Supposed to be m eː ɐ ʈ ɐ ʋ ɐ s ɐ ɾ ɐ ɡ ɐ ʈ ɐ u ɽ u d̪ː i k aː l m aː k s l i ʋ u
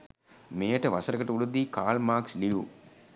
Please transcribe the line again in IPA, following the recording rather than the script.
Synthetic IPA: m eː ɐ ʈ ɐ ʋ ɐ s ɐ ɾ ɐ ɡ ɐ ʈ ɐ u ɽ u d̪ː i k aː l m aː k s l i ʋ u

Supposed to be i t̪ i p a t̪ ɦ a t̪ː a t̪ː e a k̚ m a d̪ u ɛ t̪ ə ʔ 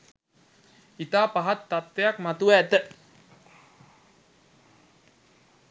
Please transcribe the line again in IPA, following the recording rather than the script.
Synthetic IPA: i t̪ a p a ɦ a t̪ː a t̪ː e a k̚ m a t̪ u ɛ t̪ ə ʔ

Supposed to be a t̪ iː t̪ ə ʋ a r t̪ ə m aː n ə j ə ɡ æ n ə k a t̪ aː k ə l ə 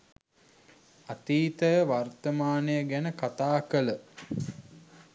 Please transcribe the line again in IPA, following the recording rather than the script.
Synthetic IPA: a t̪ iː t̪ ə ʋ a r t̪ ə m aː n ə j ə ɡ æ n ə k a t̪ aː k ə l ə

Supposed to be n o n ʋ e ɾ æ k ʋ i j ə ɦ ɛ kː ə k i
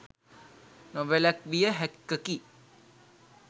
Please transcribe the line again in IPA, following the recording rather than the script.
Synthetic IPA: n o ʋ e l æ k ʋ i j ə ɦ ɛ kː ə k i

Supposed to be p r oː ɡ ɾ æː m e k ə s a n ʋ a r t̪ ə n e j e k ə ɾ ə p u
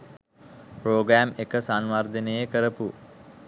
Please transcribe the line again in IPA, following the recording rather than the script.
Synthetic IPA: p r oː ɡ ɾ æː m e k ə s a n ʋ a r d̪ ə n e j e k ə ɾ ə p u

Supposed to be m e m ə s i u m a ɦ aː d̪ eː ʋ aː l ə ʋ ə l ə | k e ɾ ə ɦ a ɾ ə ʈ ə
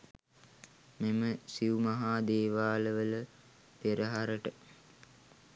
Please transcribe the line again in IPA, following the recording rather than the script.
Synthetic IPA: m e m ə s i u m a ɦ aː d̪ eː ʋ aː l ə ʋ ə l ə | p e ɾ ə ɦ a ɾ ə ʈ ə

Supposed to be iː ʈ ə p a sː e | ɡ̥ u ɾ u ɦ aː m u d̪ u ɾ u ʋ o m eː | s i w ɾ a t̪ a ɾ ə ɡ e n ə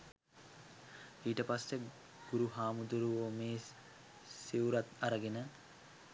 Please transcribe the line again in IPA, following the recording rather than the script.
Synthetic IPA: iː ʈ ə p a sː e | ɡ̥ u ɾ u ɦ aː m u d̪ u ɾ u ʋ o m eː | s i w ɾ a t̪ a ɾ ə ɡ e n ə

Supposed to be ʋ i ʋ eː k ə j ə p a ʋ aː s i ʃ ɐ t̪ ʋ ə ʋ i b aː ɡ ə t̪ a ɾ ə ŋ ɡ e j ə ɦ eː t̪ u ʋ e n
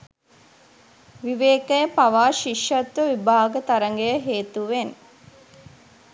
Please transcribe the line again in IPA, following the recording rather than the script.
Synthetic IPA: ʋ i ʋ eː k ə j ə p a ʋ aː ʃ i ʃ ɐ t̪ ʋ ə ʋ i b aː ɡ ə t̪ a ɾ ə ŋ ɡ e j ə ɦ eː t̪ u ʋ e n

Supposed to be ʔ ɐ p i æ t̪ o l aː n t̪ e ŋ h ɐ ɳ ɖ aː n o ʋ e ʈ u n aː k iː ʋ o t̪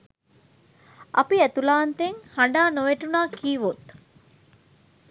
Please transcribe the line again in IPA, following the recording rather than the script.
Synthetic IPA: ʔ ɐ p i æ t̪ u l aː n t̪ e ŋ h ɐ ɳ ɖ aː n o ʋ e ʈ u n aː k iː ʋ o t̪

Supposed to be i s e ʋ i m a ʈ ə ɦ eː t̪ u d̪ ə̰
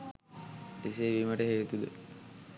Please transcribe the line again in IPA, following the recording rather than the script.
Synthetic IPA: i s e ʋ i m ə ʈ ə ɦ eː t̪ u d̪ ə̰

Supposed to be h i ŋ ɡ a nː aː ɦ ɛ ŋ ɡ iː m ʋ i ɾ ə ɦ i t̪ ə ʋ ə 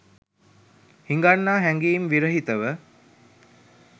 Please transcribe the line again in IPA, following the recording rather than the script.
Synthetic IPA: h i ŋ ɡ a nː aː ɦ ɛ ŋ ɡ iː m ʋ i ɾ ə ɦ i t̪ ə ʋ ə

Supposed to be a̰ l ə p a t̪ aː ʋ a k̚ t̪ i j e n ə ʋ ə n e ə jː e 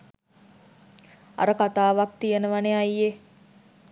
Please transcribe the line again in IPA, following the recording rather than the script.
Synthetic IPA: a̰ ɾ ə k a t̪ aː ʋ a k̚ t̪ i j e n ə ʋ a n e a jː e

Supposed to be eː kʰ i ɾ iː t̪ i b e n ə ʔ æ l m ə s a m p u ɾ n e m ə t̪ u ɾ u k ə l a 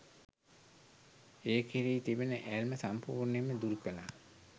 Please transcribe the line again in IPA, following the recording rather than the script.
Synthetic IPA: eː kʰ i ɾ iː t̪ i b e n ə ʔ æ l m ə s a m p uː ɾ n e m ə d̪ u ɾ u k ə l a

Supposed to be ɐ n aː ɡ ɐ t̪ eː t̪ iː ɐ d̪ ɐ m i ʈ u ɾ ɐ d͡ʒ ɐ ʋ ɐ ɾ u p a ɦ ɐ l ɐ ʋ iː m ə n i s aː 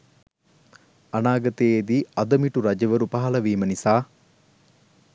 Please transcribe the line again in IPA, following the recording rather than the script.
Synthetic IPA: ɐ n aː ɡ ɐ t̪ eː d̪ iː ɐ d̪ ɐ m i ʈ u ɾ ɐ d͡ʒ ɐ ʋ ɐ ɾ u p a ɦ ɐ l ɐ ʋ iː m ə n i s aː

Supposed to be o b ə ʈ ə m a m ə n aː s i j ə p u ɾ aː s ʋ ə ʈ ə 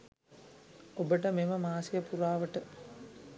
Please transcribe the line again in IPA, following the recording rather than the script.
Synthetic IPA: o b ə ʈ ə m e m ə m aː s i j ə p u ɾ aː ʋ ə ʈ ə

